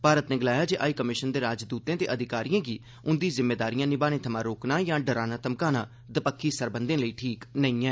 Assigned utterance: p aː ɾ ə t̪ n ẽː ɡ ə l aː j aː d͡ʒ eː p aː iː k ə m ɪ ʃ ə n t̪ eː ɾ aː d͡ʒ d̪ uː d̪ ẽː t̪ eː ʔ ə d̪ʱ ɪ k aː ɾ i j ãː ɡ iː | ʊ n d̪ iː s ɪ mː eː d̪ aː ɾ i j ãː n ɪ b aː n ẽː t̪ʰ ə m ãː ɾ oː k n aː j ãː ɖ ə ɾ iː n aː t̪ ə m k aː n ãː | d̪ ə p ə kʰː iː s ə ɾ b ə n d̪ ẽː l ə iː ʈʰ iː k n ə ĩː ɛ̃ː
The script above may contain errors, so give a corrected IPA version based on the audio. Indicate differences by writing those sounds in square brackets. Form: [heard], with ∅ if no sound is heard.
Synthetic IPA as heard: p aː ɾ ə t̪ n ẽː ɡ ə l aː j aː d͡ʒ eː [ʔ] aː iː k ə m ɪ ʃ ə n [d̪] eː ɾ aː d͡ʒ d̪ uː [t̪] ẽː t̪ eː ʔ ə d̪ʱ ɪ k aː ɾ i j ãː ɡ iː | ʊ n d̪ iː [z] ɪ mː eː d̪ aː ɾ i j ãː n ɪ b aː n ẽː t̪ʰ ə m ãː ɾ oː k n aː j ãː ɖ ə ɾ [aː] n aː t̪ ə m k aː n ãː | d̪ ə p ə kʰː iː s ə ɾ b ə n d̪ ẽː l ə iː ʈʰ iː k n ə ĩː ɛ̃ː